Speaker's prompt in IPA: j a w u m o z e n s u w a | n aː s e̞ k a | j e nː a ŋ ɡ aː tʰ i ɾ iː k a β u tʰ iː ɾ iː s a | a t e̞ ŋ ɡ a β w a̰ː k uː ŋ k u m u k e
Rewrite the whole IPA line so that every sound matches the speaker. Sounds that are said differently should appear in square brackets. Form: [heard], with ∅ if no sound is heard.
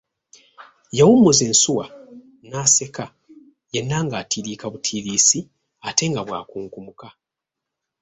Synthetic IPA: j a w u m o z e n s u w a | n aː s e̞ k a | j e nː a ŋ ɡ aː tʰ i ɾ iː k a β u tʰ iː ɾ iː s [i] | a t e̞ ŋ ɡ a β w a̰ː k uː ŋ k u m u k [a]